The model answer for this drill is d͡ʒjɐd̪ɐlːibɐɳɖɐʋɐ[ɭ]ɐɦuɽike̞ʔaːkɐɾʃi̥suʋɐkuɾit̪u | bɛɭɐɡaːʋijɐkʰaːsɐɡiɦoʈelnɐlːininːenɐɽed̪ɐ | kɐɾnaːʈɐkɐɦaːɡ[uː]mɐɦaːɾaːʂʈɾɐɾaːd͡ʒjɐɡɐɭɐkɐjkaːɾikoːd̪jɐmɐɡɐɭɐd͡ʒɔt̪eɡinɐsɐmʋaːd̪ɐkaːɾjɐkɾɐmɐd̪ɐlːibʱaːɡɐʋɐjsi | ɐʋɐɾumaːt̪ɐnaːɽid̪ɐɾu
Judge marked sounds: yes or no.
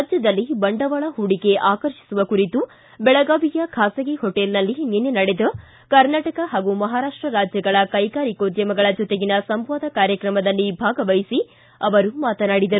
yes, no

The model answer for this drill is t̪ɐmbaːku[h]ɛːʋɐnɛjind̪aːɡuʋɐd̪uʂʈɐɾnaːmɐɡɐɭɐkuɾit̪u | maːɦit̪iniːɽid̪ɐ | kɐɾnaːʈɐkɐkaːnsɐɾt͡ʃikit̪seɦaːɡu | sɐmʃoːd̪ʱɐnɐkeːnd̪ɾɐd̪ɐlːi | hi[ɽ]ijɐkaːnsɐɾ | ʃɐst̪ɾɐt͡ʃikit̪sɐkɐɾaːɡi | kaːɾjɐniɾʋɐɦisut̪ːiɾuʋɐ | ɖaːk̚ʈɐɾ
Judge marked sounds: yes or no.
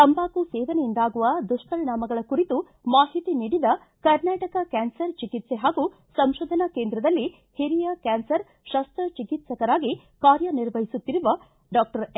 no, no

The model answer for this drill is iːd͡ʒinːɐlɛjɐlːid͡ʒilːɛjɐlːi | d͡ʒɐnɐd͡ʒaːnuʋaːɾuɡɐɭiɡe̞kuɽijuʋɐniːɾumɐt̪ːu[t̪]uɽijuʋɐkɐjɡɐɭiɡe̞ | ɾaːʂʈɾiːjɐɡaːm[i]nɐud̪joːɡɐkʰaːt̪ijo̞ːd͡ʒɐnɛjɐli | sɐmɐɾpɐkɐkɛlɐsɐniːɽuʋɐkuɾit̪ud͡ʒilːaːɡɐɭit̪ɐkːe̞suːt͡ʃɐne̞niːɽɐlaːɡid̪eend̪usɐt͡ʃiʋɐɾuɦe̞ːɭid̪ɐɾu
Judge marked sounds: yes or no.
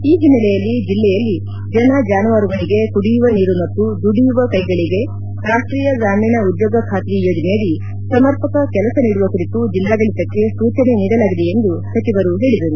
no, no

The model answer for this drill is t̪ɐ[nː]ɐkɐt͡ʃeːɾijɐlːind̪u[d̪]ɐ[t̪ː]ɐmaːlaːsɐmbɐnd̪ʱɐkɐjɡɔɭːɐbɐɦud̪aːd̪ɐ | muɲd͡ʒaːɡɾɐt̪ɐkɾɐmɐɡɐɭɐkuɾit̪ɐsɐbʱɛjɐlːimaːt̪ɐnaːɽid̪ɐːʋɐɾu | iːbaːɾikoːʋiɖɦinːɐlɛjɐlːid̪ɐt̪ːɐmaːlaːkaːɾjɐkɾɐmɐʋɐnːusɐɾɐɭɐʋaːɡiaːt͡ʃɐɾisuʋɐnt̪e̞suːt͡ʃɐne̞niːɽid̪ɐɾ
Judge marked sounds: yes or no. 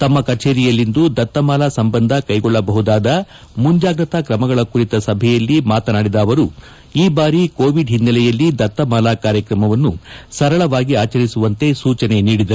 no, yes, yes

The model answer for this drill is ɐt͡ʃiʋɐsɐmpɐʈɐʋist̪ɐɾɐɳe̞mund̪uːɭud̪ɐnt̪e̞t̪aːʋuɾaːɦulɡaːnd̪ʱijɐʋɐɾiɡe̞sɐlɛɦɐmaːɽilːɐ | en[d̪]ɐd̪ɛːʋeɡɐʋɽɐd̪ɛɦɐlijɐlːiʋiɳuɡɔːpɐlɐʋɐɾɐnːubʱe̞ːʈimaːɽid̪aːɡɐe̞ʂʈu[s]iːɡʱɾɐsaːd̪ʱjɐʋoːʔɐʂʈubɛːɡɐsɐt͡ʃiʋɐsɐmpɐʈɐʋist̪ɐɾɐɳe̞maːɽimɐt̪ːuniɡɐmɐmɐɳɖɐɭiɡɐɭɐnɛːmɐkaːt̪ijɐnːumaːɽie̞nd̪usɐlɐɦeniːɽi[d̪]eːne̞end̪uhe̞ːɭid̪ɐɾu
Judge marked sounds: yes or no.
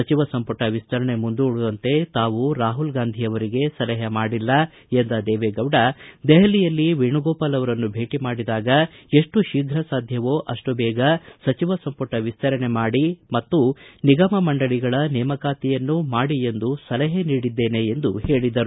yes, no, no

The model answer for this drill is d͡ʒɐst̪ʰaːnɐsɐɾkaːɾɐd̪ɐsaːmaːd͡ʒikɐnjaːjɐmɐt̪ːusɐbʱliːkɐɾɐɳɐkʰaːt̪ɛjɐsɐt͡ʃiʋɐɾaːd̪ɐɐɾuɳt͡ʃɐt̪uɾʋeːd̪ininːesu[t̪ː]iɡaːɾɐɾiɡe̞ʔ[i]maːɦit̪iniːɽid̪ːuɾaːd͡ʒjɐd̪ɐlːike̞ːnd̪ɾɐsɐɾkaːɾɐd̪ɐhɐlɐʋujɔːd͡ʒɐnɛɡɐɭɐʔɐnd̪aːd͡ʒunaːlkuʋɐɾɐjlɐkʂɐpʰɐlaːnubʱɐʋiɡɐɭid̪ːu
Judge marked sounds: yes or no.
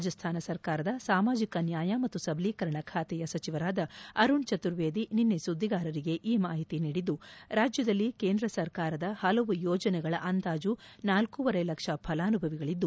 no, no

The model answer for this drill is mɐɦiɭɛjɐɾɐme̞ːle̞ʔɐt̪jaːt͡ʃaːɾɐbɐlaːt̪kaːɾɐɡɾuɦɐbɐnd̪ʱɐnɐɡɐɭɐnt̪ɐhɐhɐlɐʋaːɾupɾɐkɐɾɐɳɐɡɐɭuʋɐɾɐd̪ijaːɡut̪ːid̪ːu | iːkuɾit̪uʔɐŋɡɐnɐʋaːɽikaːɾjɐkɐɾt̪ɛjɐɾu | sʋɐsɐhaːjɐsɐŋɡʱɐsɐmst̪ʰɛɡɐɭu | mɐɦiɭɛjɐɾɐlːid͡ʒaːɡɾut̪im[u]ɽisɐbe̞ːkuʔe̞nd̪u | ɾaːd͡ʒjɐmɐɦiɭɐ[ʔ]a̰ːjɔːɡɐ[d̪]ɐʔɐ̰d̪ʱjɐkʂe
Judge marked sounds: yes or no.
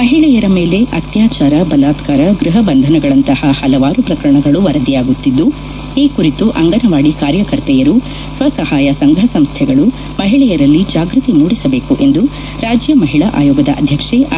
no, yes, yes

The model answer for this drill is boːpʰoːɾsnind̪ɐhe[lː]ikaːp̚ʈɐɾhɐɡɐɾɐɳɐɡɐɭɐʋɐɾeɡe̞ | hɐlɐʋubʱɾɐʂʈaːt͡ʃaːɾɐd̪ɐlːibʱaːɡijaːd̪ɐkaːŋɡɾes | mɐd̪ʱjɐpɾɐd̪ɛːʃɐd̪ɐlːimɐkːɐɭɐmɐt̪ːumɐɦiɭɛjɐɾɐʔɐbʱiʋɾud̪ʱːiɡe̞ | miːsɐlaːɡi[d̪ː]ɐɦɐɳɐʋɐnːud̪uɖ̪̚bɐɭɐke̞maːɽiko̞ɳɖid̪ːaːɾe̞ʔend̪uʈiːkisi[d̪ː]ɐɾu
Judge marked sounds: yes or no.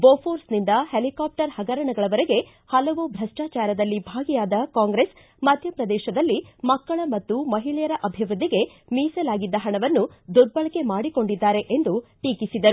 no, yes, no

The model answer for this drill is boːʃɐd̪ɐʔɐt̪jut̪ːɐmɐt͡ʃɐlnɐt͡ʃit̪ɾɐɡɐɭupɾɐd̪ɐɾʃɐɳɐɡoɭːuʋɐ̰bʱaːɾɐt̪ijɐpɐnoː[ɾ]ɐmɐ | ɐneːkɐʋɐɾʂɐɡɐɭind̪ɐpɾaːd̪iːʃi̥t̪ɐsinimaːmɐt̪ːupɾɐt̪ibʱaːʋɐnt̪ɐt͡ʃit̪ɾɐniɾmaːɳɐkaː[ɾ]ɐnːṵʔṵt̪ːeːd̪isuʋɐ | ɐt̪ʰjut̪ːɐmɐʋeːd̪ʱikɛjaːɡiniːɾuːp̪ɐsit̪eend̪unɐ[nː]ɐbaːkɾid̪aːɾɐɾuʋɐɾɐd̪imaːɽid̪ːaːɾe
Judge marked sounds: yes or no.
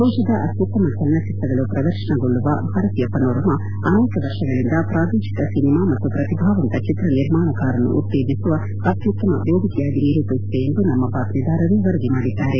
yes, yes, no

